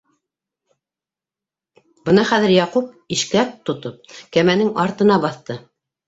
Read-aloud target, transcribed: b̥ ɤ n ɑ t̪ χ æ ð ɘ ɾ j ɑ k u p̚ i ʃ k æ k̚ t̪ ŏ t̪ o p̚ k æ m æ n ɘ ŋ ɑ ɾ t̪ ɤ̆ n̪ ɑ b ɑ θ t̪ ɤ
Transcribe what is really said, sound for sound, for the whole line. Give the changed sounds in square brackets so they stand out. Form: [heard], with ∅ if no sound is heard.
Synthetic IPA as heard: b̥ ɤ n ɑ [∅] χ æ ð ɘ ɾ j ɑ [q] u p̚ i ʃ k æ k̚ t̪ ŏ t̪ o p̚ k æ m æ n ɘ ŋ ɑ ɾ t̪ ɤ̆ n̪ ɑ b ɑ θ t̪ ɤ

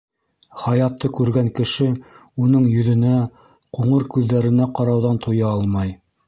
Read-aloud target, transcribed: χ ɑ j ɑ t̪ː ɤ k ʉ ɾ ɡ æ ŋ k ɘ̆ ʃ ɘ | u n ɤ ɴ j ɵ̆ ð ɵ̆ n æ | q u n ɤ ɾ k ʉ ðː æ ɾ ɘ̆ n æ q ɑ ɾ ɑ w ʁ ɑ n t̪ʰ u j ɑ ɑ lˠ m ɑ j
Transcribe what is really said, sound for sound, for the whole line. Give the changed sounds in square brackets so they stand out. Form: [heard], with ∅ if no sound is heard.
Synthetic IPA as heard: χ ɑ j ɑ t̪ː ɤ k ʉ ɾ ɡ æ ŋ k ɘ̆ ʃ ɘ | u n ɤ ɴ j ɵ̆ ð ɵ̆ n æ | q u [ɴ] ɤ ɾ k ʉ ðː æ ɾ ɘ̆ n æ q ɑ ɾ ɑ w [ð] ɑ n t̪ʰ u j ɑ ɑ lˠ m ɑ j

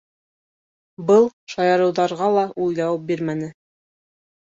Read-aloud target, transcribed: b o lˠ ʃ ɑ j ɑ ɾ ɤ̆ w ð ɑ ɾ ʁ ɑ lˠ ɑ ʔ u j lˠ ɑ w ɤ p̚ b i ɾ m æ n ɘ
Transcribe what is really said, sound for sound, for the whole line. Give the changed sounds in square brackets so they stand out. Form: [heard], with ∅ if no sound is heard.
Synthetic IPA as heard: b [ɤ] lˠ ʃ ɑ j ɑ ɾ ɤ̆ w ð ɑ ɾ ʁ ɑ lˠ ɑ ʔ u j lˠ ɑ w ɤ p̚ b i ɾ m æ n ɘ

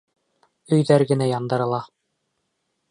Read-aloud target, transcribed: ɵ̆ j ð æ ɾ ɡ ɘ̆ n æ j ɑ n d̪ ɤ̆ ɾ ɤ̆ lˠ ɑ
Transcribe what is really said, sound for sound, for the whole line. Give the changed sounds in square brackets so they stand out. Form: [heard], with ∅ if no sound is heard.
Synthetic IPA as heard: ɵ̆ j ð æ ɾ ɡ ɘ̆ n æ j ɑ n d̪ ɤ̆ ɾ ɤ̆ lˠ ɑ

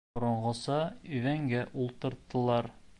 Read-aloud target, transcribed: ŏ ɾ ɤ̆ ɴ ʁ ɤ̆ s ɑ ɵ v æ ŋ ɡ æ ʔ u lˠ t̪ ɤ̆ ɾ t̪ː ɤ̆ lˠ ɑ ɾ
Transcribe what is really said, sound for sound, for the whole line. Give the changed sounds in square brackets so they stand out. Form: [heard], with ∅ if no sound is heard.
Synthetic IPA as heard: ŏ ɾ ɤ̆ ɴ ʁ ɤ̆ s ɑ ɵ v æ ŋ ɡ æ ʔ u lˠ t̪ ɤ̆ ɾ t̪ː ɤ̆ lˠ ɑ ɾ

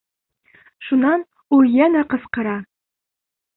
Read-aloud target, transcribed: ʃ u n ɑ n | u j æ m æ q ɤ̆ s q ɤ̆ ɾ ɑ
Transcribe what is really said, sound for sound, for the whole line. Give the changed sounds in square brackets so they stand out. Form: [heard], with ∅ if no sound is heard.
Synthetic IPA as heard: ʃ u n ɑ n | u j æ [n] æ q ɤ̆ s q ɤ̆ ɾ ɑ

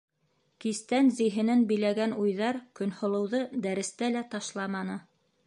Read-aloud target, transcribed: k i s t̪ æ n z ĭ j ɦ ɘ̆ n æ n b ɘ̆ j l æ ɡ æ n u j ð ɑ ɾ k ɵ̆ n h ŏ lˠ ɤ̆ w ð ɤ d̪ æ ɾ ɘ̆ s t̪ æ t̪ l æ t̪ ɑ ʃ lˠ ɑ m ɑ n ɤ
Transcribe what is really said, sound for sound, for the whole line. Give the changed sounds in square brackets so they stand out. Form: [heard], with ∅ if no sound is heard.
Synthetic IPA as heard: k i s t̪ æ n z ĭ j ɦ ɘ̆ n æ n b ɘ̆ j l æ ɡ æ n u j ð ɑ ɾ k ɵ̆ n h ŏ lˠ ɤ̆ w ð ɤ d̪ æ ɾ ɘ̆ s t̪ æ [∅] l æ t̪ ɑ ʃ lˠ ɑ m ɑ n ɤ

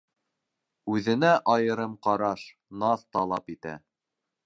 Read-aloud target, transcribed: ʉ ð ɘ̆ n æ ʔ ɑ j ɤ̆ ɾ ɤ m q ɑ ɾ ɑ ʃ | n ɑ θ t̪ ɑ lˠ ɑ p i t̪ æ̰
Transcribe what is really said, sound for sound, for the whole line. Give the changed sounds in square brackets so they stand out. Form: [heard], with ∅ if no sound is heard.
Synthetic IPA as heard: ʉ ð ɘ̆ n æ ʔ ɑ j ɤ̆ ɾ ɤ m q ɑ ɾ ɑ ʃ | n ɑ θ t̪ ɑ lˠ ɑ p i t̪ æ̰

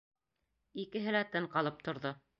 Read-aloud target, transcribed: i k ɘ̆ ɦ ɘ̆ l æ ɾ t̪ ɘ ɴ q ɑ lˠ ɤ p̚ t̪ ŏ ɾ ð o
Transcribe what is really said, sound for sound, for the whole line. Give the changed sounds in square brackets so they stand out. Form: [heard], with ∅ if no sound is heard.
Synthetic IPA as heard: i k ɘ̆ ɦ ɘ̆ l æ [∅] t̪ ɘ ɴ q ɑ lˠ ɤ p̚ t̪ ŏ ɾ ð o

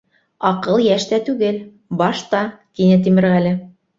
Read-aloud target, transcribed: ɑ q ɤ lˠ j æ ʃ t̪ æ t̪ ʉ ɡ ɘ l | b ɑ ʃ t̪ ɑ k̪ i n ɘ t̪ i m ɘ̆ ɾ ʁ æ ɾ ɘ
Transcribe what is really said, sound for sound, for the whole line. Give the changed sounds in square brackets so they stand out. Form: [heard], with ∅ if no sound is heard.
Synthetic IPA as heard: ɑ q ɤ lˠ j æ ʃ t̪ æ t̪ ʉ ɡ ɘ l | b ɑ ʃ t̪ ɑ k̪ i n ɘ t̪ i m ɘ̆ ɾ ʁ æ [l] ɘ

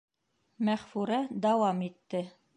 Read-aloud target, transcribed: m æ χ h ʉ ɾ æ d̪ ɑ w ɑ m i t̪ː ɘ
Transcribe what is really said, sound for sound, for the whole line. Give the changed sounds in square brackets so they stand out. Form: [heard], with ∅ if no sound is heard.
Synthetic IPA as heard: m æ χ [f] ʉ ɾ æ d̪ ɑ w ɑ m i t̪ː ɘ

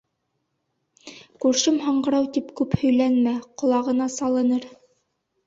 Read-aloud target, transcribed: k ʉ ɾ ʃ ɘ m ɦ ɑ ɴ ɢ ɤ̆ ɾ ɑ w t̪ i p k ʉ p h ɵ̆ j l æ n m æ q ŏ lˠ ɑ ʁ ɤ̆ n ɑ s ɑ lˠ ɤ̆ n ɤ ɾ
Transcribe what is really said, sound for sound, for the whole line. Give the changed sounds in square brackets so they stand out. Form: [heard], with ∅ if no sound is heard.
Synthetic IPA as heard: k ʉ ɾ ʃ ɘ m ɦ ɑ ɴ ɢ ɤ̆ ɾ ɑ w t̪ i p k ʉ p h ɵ̆ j l æ n m æ q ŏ lˠ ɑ ʁ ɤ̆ n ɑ s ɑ lˠ ɤ̆ n ɤ ɾ

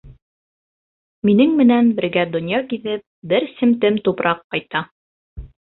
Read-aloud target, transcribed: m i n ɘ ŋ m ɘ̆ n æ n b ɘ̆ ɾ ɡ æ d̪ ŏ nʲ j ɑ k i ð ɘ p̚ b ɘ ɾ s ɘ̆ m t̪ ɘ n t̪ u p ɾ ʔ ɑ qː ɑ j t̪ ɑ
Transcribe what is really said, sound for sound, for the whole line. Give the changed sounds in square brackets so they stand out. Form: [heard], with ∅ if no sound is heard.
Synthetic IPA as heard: m i n ɘ ŋ m ɘ̆ n æ n b ɘ̆ ɾ ɡ æ d̪ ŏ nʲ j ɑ k i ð ɘ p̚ b ɘ ɾ s ɘ̆ m t̪ ɘ [m] t̪ u p ɾ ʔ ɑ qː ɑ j t̪ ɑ

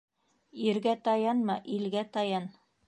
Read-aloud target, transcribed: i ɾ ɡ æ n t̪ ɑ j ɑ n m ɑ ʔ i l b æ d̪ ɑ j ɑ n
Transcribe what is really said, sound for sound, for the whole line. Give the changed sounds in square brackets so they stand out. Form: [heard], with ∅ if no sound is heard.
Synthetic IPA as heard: i ɾ ɡ æ [∅] t̪ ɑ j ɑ n m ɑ ʔ i l [ɡ] æ [t̪] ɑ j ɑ n

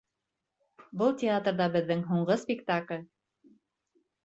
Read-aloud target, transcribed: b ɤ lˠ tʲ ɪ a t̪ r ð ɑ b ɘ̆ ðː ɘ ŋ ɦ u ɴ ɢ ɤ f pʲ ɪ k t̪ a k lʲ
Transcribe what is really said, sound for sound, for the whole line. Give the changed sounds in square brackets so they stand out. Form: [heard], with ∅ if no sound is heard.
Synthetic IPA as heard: b ɤ lˠ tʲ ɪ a t̪ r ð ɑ b ɘ̆ ðː ɘ ŋ ɦ u ɴ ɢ ɤ [s] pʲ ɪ k t̪ a k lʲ

